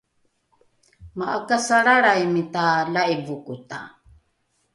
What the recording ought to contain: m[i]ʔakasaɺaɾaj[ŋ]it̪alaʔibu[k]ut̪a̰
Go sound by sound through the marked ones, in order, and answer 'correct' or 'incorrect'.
incorrect, incorrect, correct

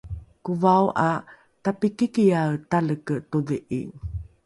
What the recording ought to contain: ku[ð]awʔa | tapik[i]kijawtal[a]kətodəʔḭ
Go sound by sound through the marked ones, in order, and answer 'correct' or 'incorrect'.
incorrect, correct, incorrect

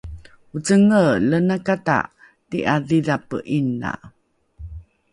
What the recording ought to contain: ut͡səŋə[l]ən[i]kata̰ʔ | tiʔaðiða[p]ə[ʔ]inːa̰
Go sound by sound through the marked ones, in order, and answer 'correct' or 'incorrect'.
correct, incorrect, correct, correct

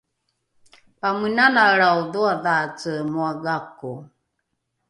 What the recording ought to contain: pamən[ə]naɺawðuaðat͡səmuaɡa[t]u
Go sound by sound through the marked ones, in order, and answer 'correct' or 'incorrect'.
incorrect, incorrect

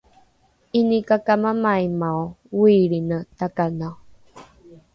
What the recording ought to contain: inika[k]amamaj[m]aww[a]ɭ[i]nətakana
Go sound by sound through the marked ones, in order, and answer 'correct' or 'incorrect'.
correct, correct, incorrect, correct

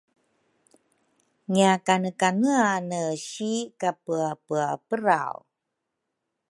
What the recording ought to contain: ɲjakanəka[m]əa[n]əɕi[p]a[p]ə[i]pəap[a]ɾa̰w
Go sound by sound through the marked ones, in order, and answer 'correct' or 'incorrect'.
incorrect, correct, incorrect, correct, incorrect, incorrect

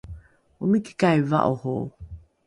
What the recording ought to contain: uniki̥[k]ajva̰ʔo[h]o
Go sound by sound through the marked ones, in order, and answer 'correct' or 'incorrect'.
correct, correct

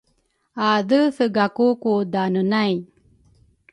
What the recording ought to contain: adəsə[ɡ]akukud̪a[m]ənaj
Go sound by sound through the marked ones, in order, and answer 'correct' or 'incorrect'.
correct, incorrect

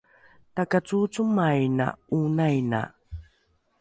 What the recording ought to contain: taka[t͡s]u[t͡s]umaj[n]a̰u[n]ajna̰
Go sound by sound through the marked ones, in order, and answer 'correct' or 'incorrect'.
correct, correct, correct, correct

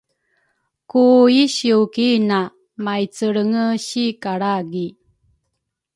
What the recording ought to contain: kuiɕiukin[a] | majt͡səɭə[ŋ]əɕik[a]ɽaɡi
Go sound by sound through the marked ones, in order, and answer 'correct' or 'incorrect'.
correct, correct, correct

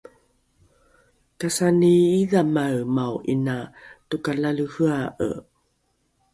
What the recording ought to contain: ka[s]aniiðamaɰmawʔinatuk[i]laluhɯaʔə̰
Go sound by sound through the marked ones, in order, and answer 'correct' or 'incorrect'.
correct, incorrect

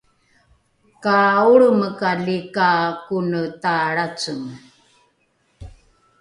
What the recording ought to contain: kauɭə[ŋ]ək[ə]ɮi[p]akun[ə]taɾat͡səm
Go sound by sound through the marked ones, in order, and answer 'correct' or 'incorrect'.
incorrect, incorrect, incorrect, correct

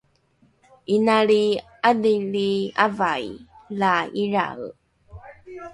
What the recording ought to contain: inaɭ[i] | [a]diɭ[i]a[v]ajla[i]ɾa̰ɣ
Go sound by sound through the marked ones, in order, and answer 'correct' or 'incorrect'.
correct, correct, correct, correct, correct

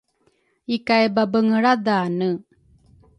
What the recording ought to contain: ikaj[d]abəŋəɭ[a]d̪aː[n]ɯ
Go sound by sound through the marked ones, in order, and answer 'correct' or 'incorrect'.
incorrect, correct, correct

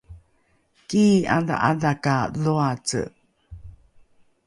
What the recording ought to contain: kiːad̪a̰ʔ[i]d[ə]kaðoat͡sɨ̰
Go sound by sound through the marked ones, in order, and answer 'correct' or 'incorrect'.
incorrect, incorrect

